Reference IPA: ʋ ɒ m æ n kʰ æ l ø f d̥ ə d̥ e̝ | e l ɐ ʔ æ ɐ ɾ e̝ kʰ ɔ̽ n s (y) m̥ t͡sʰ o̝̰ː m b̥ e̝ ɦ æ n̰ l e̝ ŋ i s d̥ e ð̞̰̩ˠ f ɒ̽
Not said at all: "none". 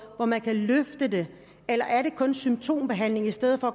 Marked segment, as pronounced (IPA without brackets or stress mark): y